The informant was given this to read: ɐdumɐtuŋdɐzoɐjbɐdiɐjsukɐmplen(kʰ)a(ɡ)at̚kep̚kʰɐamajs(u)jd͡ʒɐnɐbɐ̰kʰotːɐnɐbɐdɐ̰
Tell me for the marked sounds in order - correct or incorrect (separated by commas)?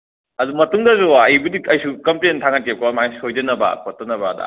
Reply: incorrect, incorrect, incorrect